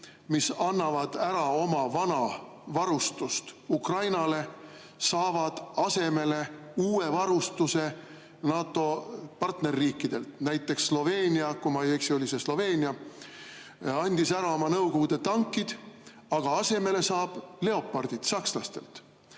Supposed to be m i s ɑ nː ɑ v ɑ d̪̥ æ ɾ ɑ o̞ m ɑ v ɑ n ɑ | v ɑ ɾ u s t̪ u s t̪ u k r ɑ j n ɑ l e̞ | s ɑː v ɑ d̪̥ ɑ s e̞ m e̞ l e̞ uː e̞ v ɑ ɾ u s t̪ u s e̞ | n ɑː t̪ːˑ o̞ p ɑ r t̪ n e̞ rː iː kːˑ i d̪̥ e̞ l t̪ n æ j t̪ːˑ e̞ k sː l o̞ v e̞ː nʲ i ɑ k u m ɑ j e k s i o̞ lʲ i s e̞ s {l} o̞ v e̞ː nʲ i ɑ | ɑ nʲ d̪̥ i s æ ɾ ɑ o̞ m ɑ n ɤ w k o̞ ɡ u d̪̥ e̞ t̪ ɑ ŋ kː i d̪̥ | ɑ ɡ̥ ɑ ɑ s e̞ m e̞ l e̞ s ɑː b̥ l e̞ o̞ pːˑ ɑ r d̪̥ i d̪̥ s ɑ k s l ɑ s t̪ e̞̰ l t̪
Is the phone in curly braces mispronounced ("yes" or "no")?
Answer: no